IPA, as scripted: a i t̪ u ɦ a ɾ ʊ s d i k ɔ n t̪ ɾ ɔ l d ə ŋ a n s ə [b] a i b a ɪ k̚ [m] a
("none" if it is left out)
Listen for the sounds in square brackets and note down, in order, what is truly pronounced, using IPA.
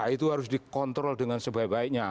b, ɲ

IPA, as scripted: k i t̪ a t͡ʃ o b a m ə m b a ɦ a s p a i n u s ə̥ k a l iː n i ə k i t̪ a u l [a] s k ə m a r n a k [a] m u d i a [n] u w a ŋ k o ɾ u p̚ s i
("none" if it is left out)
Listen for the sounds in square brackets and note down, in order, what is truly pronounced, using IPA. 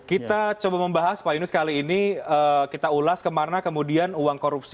a, ə, n

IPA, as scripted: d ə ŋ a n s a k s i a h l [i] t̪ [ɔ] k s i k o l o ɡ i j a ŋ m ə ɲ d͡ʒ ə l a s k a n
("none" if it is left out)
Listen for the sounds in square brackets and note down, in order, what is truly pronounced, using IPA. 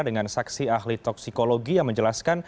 i, ɔ

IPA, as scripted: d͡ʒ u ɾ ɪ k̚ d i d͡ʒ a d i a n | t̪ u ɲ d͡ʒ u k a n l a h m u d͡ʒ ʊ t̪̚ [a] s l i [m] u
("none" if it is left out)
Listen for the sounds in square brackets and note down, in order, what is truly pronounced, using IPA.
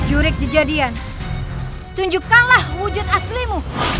a, m

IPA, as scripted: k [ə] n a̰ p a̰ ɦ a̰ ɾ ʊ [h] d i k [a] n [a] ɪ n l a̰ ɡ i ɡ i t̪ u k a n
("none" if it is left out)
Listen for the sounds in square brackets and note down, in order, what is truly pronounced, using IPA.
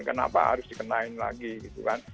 ə, s, ə, a

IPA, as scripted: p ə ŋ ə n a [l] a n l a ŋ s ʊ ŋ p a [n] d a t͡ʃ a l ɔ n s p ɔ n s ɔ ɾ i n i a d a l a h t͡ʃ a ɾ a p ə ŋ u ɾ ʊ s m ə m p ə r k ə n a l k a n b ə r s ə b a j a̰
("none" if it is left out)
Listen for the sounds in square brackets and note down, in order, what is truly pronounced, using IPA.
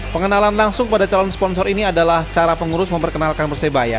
l, none

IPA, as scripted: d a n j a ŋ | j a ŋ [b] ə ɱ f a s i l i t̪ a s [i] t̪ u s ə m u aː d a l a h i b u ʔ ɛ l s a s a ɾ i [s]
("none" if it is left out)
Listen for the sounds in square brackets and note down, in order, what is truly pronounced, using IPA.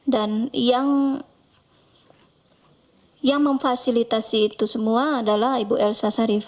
m, iː, f

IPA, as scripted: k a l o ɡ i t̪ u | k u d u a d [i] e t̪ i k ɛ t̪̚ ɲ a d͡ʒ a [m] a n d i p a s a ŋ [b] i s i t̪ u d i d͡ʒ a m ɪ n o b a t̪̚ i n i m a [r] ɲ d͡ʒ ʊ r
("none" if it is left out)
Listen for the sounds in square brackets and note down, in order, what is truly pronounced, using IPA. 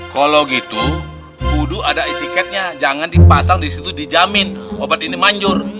a, ŋ, d, none

